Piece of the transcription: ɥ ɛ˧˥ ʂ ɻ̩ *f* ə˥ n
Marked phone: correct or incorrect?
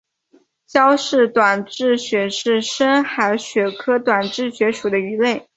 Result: incorrect: ʂ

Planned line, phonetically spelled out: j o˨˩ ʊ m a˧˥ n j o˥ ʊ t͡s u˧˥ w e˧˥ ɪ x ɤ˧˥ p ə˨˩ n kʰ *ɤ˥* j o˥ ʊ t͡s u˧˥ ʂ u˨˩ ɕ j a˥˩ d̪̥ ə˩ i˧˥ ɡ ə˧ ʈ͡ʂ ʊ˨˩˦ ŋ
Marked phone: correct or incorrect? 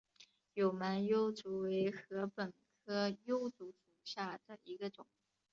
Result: correct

